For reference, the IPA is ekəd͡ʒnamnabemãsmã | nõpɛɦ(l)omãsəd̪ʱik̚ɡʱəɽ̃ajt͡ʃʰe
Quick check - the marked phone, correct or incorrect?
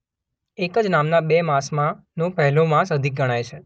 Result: correct